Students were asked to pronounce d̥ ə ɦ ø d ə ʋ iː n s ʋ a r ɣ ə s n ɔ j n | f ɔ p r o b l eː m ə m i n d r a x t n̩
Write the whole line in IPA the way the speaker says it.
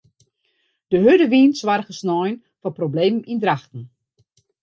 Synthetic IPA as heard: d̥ ə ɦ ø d ə ʋ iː n s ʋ a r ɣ ə s n ɔ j n | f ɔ p r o b l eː m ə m i n d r a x t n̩